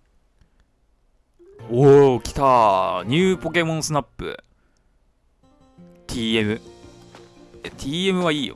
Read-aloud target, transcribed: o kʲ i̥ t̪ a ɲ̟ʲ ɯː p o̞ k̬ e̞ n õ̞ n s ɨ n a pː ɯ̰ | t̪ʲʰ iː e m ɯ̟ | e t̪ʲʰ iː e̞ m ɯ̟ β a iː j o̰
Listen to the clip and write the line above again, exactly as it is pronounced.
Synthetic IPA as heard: o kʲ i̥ t̪ a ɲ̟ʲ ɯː p o̞ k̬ e̞ m õ̞ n s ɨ n a pː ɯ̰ | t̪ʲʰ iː e m ɯ̟ | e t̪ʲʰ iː e̞ m ɯ̟ β a iː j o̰